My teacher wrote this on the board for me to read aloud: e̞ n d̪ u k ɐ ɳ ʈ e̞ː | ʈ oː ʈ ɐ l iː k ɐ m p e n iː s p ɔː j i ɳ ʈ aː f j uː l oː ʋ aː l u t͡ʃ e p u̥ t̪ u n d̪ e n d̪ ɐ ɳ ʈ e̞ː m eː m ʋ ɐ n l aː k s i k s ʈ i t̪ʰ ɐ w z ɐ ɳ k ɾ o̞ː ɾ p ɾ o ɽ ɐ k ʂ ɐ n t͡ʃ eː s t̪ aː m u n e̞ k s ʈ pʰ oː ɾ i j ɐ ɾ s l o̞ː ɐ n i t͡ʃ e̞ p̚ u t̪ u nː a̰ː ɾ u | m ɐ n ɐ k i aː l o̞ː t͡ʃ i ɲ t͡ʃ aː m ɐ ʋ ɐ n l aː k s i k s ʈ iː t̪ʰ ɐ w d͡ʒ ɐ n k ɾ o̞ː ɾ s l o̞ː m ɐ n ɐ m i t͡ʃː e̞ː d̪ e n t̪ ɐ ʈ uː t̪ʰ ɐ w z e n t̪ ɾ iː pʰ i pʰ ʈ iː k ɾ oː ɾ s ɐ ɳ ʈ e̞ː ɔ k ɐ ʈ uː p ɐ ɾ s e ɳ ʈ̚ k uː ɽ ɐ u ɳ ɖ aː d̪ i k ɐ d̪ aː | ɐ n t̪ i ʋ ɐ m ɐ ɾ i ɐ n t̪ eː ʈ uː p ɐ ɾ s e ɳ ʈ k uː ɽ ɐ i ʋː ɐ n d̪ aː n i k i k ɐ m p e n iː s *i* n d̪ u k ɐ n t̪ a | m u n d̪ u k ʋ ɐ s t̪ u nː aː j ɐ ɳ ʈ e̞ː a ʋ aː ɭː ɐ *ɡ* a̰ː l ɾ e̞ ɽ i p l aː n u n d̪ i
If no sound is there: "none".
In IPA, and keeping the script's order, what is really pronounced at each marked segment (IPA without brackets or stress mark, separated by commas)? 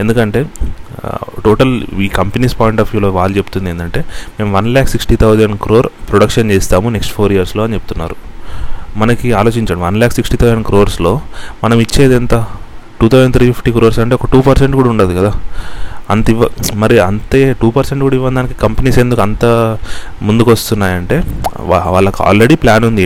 e, k